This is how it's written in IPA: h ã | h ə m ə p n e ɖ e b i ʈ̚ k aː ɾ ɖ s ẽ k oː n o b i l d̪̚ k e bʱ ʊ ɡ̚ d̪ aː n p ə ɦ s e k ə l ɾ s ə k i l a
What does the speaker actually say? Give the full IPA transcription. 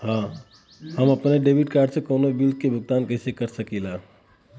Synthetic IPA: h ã | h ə m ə p n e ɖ e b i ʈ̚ k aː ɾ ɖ s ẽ k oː n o b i l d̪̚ k e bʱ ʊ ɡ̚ t̪ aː n k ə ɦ s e k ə ɾ s ə k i l a